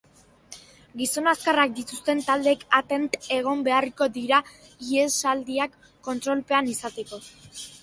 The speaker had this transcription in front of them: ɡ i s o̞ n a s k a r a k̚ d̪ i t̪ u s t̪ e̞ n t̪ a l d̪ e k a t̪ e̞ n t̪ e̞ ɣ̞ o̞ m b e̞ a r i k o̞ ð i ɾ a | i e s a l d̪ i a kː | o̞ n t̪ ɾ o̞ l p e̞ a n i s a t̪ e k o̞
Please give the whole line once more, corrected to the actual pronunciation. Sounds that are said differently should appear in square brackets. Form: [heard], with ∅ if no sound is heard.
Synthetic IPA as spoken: ɡ i s o̞ n a s k a r a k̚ d̪ i t̪ u s t̪ e̞ n t̪ a l d̪ e k a t̪ e̞ n t̪ e̞ ɣ̞ o̞ m b e̞ a r i k o̞ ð i ɾ a | i e s a l d̪ i a kː | o̞ n t̪ ɾ o̞ l p e̞ a n i s a t̪ e k o̞